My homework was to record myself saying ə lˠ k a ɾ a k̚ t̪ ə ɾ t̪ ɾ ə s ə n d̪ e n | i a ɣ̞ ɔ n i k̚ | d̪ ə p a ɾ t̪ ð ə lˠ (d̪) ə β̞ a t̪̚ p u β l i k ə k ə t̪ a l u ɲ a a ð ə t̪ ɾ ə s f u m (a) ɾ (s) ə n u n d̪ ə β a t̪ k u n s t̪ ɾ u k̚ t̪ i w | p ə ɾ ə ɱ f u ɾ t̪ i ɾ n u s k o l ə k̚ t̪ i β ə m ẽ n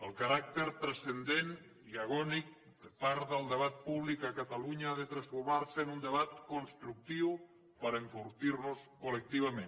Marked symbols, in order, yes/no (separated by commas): yes, yes, yes